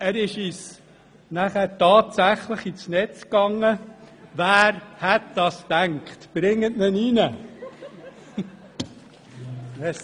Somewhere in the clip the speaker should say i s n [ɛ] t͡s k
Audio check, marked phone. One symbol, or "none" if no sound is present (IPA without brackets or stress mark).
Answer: ɛ